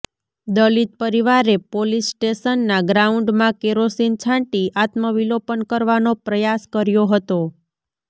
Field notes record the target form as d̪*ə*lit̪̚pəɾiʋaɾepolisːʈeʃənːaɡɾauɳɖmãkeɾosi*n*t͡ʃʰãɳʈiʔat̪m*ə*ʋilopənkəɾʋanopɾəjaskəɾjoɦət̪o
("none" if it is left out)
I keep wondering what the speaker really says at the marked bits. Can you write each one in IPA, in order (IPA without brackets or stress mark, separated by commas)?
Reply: ə, n, ə